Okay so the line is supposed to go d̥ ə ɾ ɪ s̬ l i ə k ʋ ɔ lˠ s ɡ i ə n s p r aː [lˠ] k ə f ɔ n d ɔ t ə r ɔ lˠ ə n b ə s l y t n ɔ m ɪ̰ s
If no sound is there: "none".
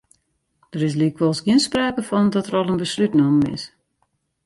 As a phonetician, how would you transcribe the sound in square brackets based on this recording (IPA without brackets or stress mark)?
none